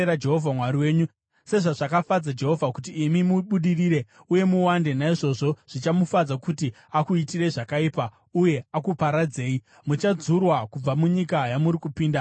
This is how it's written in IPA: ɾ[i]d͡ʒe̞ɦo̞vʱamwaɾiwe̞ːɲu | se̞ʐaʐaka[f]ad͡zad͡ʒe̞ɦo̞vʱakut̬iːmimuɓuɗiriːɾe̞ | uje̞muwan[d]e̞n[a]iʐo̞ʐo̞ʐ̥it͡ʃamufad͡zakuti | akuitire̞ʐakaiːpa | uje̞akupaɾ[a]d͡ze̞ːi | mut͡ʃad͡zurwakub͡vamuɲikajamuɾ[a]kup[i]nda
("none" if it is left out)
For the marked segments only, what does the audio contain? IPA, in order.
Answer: a, f, d, a, a, i, iː

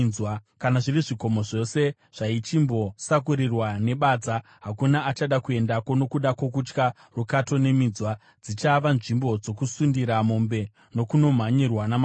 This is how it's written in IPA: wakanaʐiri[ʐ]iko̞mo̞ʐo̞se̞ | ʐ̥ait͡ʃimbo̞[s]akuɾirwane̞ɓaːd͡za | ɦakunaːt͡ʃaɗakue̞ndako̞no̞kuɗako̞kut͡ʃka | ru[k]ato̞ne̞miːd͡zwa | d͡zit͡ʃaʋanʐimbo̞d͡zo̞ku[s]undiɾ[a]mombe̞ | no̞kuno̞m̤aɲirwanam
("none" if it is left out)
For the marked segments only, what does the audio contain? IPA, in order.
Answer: ʐ, s, k, s, a

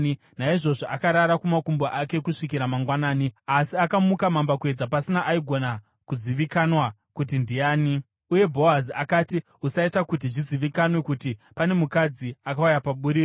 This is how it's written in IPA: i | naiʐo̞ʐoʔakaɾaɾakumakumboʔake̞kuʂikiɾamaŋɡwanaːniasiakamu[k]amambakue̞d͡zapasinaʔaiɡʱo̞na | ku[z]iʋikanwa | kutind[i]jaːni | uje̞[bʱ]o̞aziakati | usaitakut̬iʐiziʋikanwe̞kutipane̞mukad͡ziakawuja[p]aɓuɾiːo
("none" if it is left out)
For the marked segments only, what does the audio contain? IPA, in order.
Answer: k, z, i, bʱ, p

